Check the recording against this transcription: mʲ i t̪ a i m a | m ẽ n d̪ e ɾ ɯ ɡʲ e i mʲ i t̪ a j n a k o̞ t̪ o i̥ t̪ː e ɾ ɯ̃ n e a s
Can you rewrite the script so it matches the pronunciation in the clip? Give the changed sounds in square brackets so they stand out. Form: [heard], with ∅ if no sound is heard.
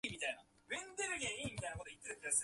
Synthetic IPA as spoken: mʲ i t̪ a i [n] a | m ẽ n d̪ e ɾ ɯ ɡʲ e i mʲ i t̪ a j n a k o̞ t̪ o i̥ t̪ː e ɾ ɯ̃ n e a s